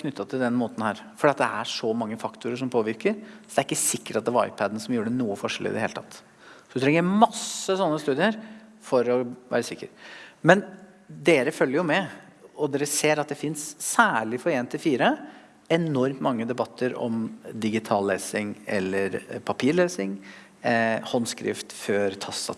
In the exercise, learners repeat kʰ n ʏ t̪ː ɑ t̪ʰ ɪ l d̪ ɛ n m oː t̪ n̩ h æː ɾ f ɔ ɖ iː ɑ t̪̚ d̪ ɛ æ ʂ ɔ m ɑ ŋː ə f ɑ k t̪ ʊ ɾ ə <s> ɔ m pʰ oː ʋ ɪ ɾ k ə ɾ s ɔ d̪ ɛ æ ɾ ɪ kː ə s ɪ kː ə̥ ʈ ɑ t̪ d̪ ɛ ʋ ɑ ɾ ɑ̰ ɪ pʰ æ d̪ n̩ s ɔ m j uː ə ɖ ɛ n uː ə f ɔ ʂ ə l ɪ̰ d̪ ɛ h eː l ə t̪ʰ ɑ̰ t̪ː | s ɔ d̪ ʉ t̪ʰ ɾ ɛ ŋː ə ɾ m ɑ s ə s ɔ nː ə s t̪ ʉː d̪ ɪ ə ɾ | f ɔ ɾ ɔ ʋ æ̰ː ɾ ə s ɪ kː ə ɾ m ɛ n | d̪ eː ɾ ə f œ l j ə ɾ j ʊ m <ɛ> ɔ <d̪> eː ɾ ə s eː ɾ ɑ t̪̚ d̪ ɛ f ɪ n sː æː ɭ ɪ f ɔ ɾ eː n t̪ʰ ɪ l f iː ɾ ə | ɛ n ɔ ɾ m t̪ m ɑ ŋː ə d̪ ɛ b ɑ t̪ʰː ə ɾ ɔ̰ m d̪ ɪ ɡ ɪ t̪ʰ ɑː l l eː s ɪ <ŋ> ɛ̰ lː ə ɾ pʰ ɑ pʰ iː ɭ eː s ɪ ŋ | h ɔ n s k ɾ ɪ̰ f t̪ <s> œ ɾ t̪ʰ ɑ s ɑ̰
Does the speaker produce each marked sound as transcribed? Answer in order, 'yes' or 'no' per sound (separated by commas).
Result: no, yes, yes, yes, no